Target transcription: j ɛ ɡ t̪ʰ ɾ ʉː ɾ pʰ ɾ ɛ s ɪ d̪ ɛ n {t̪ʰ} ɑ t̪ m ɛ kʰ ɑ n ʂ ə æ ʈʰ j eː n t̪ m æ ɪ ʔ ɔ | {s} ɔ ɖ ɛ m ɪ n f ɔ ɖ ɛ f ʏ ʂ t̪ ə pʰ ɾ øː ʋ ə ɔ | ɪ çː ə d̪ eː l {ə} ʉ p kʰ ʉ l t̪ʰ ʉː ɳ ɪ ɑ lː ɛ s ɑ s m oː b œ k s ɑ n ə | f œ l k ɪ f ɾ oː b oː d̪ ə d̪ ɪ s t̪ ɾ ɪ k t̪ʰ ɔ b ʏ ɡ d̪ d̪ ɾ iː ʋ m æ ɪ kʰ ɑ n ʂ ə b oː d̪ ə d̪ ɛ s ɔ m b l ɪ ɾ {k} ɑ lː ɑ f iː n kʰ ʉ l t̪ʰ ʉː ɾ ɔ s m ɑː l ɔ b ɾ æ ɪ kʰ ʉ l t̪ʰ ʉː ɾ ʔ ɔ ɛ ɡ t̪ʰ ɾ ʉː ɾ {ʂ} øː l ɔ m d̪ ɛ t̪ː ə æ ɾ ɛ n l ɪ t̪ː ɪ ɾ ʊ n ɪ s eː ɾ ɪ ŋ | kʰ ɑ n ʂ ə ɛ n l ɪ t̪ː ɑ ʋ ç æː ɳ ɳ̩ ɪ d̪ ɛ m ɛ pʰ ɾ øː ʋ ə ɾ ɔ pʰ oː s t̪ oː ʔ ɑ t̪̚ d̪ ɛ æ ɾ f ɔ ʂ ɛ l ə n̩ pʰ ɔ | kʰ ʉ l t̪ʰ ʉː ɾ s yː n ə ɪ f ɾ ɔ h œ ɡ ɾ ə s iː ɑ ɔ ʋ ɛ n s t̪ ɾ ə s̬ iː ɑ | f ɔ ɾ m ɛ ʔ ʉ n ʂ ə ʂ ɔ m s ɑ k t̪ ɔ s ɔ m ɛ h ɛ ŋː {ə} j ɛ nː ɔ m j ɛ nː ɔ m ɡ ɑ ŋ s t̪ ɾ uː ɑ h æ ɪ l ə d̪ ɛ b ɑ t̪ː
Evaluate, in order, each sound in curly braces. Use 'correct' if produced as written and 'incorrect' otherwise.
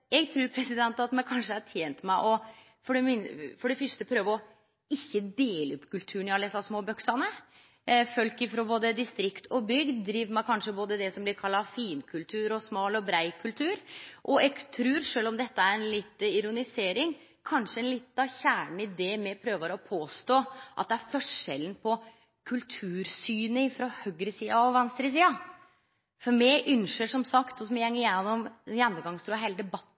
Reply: incorrect, incorrect, correct, incorrect, correct, correct

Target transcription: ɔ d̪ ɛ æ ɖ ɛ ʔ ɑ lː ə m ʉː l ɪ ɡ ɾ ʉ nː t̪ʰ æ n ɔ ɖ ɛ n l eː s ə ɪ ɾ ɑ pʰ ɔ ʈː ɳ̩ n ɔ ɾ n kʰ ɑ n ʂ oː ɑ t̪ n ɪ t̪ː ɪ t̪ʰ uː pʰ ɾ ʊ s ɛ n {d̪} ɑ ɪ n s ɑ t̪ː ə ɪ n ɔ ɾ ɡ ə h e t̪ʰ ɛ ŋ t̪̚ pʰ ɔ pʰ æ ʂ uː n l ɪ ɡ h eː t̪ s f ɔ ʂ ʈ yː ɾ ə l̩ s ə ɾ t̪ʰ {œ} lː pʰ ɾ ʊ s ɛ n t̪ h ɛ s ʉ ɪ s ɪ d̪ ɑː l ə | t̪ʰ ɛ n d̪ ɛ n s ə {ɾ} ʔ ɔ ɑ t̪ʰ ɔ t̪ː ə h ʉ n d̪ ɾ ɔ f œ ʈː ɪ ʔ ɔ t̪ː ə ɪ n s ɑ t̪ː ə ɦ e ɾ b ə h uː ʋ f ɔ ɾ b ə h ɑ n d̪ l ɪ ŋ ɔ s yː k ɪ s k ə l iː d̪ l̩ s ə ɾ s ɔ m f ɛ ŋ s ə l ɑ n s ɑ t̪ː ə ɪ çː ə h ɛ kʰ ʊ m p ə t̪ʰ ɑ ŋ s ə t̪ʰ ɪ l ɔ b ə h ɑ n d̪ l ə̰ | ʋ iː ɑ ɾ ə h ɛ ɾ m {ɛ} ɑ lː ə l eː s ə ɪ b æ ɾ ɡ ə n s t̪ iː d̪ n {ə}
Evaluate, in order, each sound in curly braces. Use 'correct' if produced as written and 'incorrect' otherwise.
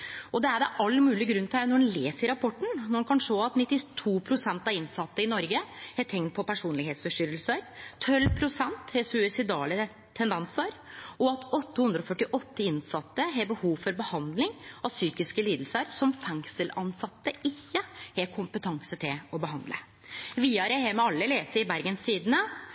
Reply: incorrect, correct, correct, correct, correct

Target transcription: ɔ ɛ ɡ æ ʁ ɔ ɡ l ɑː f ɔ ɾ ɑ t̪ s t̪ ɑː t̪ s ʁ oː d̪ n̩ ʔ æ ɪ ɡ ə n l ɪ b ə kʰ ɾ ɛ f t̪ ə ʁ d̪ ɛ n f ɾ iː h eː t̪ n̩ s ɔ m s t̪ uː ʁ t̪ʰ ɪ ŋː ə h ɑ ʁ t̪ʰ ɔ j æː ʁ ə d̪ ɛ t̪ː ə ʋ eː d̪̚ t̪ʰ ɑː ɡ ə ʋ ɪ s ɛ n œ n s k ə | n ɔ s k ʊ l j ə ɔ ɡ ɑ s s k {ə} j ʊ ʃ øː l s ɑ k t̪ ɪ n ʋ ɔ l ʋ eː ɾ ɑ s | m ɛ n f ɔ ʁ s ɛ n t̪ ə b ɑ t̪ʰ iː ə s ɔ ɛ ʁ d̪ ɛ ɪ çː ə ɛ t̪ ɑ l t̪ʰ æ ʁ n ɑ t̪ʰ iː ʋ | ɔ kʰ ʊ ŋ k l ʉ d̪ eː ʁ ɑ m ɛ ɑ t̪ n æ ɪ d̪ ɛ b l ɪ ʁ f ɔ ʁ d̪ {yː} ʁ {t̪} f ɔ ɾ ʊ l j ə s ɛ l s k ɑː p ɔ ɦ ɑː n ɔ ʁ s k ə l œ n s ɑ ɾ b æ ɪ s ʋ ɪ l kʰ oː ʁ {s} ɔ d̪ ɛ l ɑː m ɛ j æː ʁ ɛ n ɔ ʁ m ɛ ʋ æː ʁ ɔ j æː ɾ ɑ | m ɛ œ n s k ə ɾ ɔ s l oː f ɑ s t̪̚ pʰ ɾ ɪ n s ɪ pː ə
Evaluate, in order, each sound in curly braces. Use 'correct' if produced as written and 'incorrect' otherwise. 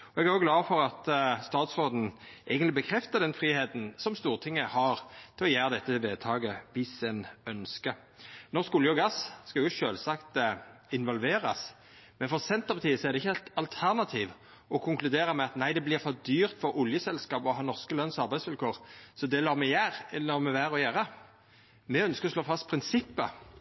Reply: incorrect, correct, correct, correct

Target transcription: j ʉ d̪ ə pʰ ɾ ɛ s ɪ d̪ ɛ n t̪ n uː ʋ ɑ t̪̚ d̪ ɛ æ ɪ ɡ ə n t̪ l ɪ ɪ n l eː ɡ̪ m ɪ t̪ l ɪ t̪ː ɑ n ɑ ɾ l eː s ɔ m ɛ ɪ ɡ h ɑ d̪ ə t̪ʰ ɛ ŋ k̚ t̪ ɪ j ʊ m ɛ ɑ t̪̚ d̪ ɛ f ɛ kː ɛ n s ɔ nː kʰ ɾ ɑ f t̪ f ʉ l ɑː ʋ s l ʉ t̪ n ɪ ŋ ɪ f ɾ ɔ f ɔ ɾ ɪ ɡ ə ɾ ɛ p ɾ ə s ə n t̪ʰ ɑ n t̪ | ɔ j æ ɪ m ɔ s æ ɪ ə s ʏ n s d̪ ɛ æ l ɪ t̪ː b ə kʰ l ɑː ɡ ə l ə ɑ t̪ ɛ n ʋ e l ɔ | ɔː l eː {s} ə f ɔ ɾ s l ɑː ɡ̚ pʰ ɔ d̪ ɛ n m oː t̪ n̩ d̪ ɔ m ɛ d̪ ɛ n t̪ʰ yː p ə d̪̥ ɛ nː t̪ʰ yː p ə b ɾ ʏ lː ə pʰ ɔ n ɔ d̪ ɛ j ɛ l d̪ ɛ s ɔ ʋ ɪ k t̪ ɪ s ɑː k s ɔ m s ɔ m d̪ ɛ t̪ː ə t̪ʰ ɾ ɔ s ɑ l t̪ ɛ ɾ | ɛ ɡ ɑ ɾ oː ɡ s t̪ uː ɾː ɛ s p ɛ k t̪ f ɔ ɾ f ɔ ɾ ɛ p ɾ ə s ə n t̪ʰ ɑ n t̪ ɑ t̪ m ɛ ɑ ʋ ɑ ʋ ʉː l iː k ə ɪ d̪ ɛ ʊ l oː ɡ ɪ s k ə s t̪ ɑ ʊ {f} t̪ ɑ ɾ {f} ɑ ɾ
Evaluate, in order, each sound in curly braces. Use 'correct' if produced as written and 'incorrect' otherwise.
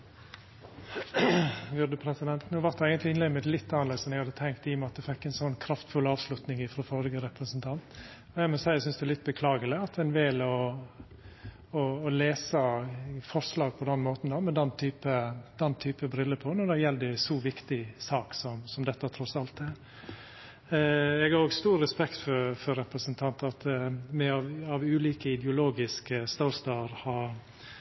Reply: correct, incorrect, incorrect

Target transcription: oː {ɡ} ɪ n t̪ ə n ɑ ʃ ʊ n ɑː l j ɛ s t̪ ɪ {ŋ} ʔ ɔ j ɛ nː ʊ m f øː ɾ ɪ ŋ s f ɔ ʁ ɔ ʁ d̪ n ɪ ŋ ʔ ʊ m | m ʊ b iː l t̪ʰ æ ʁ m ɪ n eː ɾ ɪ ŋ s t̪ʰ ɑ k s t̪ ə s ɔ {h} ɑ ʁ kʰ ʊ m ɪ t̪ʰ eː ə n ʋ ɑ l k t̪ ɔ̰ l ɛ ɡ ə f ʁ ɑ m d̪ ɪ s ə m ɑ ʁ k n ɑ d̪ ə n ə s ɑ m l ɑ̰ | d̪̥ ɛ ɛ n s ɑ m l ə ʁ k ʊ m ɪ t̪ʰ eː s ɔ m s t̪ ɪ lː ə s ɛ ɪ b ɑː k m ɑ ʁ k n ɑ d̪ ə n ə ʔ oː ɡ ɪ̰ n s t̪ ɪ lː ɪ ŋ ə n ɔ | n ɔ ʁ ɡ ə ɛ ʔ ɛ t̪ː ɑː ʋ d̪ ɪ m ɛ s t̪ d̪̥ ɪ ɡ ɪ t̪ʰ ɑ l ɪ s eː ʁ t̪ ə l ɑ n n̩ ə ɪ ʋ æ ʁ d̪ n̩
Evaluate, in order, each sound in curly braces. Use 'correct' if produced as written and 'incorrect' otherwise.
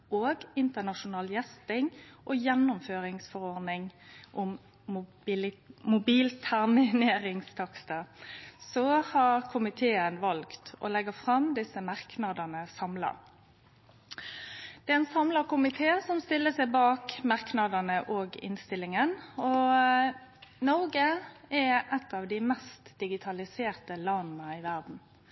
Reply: correct, correct, correct

